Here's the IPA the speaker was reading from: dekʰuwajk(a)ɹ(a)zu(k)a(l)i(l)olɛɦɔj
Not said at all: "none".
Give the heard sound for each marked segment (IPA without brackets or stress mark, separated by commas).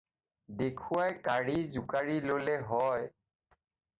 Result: a, i, k, ɹ, l